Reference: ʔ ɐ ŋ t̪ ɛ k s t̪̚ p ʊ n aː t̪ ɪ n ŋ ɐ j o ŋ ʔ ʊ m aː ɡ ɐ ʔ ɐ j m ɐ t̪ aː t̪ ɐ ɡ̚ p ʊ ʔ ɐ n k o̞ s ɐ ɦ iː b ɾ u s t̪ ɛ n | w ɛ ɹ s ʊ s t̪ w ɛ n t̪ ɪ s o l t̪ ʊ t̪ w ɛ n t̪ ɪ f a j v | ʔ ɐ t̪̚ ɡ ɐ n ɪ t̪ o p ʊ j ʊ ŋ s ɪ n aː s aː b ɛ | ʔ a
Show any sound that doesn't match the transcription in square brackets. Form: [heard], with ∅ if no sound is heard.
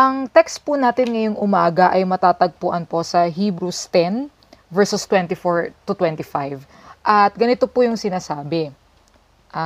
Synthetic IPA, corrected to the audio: ʔ ɐ ŋ t̪ ɛ k s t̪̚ p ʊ n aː t̪ ɪ n ŋ ɐ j o ŋ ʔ ʊ m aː ɡ ɐ ʔ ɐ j m ɐ t̪ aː t̪ ɐ ɡ̚ p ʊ ʔ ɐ n [p] o̞ s ɐ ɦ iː b ɾ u s t̪ ɛ n | [v] ɛ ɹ s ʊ s t̪ w ɛ n t̪ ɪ [f] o [ɹ] t̪ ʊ t̪ w ɛ n t̪ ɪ f a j v | ʔ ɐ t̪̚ ɡ ɐ n ɪ t̪ o p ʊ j ʊ ŋ s ɪ n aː s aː b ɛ | ʔ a